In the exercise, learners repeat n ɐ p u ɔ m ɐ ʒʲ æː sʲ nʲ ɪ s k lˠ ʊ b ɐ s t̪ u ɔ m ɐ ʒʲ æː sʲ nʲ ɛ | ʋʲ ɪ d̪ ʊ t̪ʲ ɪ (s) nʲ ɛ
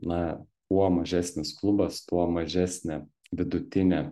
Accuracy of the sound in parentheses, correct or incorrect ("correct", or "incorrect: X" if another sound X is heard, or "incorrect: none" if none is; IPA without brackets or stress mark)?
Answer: incorrect: none